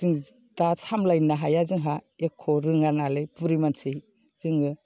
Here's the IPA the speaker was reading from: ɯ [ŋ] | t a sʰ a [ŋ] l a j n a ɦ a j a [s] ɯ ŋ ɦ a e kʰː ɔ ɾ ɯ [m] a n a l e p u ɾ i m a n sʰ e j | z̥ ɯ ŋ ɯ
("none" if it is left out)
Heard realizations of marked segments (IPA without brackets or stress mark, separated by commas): ŋ, m, z, ŋ